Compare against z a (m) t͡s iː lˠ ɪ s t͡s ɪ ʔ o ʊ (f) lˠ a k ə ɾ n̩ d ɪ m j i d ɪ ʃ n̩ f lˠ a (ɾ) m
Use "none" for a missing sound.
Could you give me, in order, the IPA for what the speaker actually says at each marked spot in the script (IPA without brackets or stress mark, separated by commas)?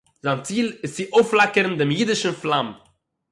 n, f, none